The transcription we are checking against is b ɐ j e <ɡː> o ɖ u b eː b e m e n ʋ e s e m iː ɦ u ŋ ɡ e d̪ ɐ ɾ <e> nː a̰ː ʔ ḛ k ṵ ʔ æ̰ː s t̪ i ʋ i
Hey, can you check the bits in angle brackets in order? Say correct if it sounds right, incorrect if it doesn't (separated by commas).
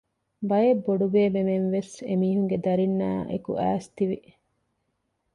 incorrect, incorrect